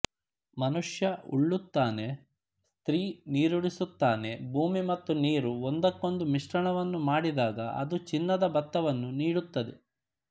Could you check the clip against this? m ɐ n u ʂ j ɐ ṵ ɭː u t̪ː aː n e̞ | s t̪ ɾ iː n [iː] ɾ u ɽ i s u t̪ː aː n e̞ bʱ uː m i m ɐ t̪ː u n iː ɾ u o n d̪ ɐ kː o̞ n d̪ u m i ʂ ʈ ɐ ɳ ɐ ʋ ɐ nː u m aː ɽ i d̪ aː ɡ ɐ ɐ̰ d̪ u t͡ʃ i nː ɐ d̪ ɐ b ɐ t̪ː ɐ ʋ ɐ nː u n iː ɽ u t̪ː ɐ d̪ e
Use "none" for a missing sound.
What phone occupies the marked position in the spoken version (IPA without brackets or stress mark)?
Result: iː